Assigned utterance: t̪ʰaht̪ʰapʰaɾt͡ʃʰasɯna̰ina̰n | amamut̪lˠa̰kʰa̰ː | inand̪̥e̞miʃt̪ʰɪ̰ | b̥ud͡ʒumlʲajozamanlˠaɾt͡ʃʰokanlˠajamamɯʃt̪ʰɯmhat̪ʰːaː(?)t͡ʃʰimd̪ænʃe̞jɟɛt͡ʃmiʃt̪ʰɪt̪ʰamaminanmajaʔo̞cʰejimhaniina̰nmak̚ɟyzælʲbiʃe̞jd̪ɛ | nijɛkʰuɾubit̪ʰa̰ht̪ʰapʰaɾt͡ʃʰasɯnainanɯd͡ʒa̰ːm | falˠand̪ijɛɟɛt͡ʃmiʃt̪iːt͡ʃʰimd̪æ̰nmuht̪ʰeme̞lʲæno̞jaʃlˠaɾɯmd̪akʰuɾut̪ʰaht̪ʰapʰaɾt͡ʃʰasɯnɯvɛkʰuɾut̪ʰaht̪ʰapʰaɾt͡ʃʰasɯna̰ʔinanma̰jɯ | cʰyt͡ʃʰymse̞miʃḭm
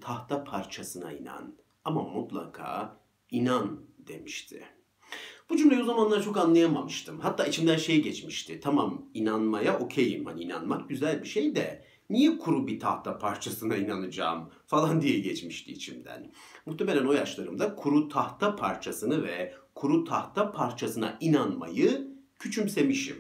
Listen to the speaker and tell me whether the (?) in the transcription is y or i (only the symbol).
i